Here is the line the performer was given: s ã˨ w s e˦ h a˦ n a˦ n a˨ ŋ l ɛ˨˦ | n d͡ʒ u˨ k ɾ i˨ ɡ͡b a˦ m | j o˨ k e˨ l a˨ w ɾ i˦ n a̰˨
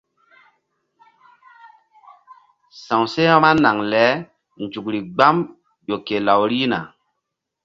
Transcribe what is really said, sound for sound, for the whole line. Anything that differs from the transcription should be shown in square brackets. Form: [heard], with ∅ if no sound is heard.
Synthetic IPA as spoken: s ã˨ w s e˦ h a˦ [m] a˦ n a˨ ŋ l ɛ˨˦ | n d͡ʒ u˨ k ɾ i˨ ɡ͡b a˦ m | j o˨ k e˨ l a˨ w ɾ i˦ n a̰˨